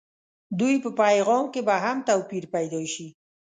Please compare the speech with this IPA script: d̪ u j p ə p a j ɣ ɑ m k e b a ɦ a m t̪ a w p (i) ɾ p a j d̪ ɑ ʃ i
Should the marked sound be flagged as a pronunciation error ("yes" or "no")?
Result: no